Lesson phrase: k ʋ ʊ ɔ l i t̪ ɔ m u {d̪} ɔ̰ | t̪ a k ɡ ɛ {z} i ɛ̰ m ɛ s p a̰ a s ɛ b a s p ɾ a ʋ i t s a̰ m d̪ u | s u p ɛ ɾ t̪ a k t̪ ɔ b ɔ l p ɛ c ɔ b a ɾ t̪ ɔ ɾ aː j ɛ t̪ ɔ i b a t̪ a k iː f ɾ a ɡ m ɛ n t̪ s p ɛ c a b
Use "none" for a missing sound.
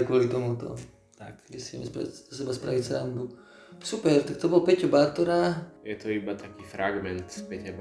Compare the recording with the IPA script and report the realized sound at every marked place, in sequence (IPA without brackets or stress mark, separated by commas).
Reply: t̪, s